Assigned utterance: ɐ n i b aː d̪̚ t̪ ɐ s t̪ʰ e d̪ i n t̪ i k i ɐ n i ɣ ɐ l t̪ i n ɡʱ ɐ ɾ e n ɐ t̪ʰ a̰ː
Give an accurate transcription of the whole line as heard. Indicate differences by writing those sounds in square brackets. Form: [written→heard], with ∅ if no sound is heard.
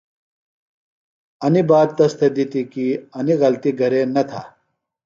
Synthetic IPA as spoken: ɐ n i b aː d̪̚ t̪ ɐ s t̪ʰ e d̪ i [n→∅] t̪ i k i ɐ n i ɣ ɐ l t̪ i [n→∅] ɡʱ ɐ ɾ e n ɐ t̪ʰ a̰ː